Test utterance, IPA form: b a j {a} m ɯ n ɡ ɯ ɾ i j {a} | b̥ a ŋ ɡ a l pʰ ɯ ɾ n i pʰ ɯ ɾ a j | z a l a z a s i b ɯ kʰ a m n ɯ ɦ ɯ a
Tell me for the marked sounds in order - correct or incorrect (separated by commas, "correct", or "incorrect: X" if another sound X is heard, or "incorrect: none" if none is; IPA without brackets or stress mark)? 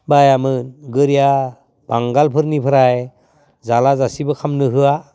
correct, correct